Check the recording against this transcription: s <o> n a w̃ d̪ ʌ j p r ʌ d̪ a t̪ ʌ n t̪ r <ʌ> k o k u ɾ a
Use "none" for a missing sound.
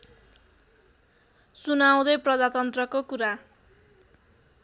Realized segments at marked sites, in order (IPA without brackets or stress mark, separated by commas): u, ʌ